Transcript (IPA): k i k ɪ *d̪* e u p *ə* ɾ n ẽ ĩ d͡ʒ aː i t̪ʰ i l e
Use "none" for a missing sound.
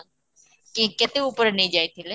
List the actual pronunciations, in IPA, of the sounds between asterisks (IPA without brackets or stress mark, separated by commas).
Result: t̪, ə